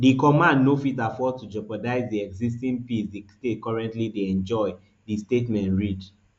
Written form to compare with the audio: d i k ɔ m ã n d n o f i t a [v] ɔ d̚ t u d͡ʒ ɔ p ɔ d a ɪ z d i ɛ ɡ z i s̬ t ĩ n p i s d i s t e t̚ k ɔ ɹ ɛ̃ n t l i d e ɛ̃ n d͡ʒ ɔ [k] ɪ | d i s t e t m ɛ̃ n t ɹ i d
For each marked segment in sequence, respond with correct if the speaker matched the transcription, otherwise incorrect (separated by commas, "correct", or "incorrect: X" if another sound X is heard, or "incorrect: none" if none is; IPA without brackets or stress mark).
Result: incorrect: f, incorrect: none